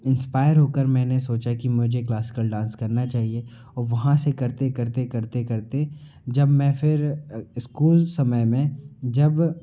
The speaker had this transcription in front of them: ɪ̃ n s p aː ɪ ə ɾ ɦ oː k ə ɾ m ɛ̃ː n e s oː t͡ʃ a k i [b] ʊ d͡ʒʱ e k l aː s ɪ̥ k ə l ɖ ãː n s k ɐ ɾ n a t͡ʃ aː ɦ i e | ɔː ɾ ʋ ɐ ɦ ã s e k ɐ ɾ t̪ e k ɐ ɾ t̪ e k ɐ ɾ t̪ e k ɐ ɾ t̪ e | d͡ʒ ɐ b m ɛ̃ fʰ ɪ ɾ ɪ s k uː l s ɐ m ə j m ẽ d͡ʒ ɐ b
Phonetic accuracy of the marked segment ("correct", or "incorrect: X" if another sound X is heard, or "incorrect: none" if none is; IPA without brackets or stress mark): incorrect: m